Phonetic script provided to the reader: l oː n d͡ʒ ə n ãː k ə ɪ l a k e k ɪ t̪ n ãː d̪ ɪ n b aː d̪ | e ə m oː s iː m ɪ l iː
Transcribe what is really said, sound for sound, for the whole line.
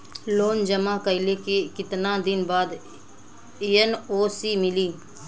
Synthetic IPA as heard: l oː n d͡ʒ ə m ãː k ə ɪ l e k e k ɪ t̪ n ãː d̪ ɪ n b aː d̪ | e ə n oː s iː m ɪ l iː